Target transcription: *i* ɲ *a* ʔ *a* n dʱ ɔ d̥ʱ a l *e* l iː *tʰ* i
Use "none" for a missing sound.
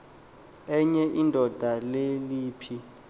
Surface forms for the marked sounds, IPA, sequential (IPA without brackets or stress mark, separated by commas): ɛ, ɛ, i, e, pʰ